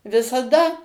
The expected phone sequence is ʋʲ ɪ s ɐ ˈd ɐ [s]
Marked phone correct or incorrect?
incorrect